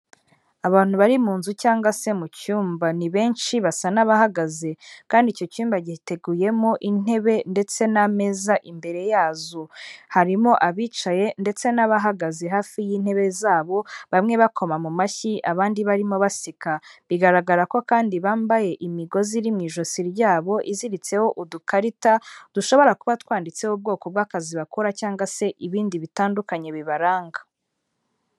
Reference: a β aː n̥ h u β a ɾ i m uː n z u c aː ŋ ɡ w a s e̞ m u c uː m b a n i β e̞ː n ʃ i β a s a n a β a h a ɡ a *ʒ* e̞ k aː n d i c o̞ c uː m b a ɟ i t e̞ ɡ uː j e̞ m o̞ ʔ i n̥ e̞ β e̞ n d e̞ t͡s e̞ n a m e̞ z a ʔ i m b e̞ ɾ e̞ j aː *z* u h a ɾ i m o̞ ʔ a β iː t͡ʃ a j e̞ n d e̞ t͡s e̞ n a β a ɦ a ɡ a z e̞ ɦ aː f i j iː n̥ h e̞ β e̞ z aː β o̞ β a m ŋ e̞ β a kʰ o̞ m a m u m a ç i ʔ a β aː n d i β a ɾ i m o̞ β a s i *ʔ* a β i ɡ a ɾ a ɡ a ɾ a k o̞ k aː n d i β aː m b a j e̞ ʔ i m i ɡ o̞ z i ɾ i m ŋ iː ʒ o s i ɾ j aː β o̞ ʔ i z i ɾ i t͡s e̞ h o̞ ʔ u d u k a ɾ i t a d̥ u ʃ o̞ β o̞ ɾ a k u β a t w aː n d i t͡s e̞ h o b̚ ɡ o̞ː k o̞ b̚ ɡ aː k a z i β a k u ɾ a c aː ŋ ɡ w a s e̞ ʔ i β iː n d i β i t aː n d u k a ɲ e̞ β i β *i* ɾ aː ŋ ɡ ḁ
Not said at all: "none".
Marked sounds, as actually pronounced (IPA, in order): z, z, k, a

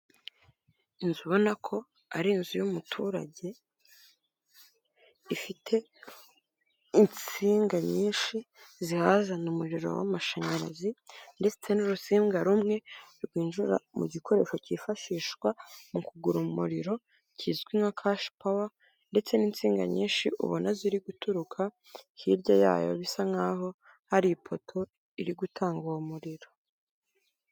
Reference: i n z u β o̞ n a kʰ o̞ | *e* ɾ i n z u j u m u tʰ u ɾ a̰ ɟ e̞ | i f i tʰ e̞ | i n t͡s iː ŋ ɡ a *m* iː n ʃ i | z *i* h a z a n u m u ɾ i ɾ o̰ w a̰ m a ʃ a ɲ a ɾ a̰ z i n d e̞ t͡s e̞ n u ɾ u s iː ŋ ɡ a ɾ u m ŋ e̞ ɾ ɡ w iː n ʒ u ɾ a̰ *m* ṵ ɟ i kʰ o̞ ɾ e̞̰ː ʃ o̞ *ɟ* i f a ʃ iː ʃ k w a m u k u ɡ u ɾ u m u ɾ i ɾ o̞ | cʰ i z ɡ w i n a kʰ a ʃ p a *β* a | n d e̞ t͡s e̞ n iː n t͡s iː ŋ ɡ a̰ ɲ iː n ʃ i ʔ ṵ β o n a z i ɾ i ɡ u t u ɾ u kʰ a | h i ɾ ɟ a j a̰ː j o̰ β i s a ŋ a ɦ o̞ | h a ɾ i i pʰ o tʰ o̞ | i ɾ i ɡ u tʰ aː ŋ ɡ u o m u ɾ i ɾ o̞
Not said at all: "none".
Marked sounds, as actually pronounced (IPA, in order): a, ɲ, i, m, c, w

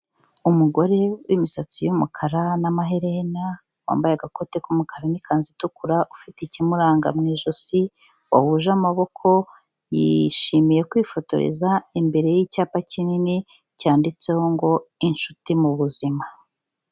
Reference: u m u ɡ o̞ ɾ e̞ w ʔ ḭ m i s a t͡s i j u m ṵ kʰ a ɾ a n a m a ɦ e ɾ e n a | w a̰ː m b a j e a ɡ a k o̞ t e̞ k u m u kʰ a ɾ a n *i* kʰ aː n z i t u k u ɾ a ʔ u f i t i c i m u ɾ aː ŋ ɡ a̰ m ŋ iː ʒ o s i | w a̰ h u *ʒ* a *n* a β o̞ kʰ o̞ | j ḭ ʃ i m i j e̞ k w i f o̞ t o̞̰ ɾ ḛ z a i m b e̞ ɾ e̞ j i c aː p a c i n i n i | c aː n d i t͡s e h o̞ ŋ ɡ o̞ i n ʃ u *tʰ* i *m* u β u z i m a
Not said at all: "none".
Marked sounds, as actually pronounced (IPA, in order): i, ʒ, m, t, m

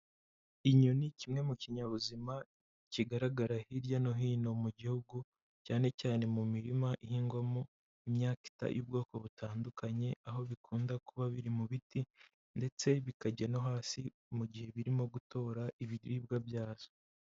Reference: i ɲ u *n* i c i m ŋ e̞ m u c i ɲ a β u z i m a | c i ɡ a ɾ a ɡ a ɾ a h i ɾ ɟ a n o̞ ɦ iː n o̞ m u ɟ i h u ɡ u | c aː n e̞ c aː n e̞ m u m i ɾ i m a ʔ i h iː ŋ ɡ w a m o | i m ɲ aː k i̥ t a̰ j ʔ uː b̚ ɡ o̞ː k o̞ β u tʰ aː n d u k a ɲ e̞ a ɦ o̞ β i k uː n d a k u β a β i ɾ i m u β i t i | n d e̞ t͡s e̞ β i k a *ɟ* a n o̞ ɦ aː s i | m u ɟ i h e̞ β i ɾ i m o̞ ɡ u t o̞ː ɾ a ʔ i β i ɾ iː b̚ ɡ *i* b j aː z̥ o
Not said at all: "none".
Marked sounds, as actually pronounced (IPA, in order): n, ɟ, a

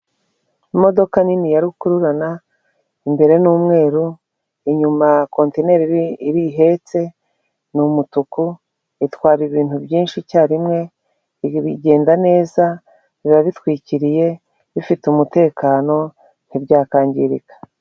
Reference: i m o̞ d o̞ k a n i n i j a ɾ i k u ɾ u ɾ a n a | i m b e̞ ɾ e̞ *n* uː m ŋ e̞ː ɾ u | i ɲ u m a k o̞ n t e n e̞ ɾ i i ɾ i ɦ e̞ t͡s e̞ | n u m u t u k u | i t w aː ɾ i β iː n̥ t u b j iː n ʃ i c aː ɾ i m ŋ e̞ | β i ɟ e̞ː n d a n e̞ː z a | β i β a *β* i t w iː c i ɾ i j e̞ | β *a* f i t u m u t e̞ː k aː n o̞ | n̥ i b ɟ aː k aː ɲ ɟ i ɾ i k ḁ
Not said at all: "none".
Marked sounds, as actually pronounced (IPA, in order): n, β, i

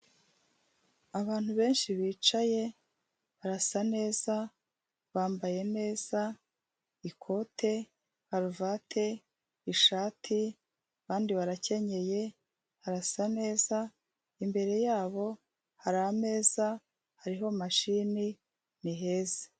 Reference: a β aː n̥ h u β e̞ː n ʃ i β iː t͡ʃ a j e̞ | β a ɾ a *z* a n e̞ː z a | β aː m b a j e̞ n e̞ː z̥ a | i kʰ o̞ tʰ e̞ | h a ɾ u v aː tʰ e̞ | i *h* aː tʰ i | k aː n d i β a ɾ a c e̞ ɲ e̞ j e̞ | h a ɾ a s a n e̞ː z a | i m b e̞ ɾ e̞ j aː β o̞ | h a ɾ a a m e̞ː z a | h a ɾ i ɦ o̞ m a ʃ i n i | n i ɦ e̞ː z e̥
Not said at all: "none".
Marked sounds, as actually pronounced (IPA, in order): s, ʃ

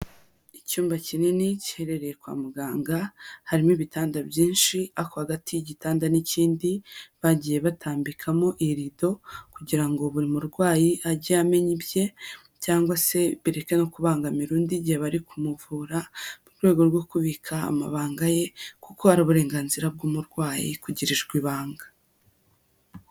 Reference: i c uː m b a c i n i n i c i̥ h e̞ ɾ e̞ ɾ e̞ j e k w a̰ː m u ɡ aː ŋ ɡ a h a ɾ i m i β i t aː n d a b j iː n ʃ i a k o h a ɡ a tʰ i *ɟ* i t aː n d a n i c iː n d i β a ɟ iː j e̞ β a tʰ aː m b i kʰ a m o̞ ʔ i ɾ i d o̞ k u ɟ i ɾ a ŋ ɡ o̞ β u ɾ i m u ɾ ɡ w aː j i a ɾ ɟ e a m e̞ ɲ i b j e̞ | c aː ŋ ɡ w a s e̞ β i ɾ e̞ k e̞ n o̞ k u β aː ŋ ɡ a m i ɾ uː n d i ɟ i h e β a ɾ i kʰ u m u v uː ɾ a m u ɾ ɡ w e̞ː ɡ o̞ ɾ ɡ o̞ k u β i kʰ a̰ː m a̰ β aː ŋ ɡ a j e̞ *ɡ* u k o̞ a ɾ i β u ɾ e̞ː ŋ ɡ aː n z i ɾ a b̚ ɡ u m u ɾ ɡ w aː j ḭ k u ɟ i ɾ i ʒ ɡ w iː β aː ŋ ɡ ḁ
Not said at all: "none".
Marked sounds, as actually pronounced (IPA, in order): ɟ, k

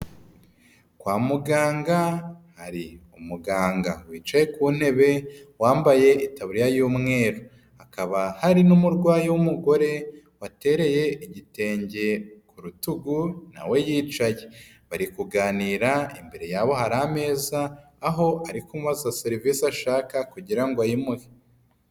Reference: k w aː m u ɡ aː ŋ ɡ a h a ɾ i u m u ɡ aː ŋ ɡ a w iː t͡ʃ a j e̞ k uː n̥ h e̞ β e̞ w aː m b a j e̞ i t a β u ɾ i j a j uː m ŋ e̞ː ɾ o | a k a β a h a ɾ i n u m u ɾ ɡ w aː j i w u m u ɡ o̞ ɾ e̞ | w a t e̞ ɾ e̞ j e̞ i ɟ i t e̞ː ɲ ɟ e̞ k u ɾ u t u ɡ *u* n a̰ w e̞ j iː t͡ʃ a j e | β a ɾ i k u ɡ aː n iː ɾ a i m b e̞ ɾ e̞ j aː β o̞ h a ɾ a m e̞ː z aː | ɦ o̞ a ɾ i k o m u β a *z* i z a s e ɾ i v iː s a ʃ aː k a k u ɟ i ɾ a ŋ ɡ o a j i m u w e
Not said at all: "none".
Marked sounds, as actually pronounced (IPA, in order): u, z

